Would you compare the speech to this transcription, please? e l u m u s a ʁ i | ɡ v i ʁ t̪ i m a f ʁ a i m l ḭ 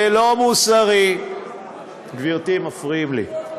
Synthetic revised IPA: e l o m u s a ʁ i | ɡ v i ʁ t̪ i m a f ʁ i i m l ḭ